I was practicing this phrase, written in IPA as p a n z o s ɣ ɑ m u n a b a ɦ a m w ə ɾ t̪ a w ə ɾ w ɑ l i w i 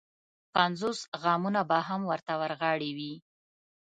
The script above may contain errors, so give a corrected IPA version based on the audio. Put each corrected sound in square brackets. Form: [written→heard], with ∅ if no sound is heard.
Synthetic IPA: p a n z o s ɣ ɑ m u n a b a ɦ a m w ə ɾ t̪ a w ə ɾ [w→ɣ] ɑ [l→ɽ] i w i